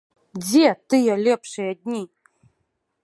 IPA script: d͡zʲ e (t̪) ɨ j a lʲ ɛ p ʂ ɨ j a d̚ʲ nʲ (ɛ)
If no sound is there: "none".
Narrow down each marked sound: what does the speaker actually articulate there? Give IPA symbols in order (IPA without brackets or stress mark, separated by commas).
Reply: t̪, i